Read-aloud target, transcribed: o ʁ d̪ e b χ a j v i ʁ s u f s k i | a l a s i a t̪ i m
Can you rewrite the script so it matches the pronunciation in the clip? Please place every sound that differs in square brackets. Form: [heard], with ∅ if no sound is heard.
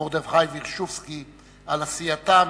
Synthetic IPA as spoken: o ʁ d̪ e [v] χ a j v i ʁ [ʃ] u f s k i | a l a s i a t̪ [a] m